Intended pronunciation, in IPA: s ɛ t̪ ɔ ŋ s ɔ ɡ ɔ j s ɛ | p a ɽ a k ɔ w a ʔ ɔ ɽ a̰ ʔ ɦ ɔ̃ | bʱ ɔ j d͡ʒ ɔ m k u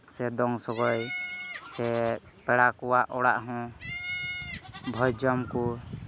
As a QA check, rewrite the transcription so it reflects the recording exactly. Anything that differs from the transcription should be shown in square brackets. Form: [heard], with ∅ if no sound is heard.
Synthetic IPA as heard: s ɛ [d̪] ɔ ŋ s ɔ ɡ ɔ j s ɛ | p [ɛ] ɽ a k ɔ w a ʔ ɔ ɽ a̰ ʔ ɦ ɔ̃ | bʱ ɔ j d͡ʒ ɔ m k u